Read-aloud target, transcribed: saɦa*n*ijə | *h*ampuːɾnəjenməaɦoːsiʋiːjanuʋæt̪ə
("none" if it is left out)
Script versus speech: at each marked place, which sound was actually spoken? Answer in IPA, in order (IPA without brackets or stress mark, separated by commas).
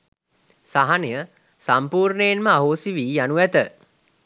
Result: n, s